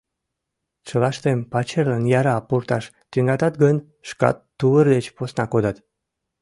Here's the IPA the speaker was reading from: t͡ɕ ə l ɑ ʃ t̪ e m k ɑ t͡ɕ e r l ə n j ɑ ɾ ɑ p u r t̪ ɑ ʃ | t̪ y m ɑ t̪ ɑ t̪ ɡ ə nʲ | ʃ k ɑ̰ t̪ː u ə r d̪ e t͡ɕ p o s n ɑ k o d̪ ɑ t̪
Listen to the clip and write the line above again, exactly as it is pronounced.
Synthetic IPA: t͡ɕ ə l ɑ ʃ t̪ e m p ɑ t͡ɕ e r l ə n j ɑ ɾ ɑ p u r t̪ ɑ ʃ | t̪ y ŋ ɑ t̪ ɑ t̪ ɡ ə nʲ | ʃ k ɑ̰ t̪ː u ə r d̪ e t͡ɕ p o s n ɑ k o d̪ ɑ t̪